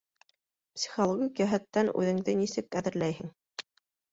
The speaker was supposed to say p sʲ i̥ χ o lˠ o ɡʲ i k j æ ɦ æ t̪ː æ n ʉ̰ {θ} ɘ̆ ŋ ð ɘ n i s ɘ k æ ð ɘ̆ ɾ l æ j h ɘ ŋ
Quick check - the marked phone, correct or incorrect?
incorrect